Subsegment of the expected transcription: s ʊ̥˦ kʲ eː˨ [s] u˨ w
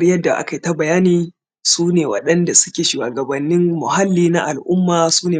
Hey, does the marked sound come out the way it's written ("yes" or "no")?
no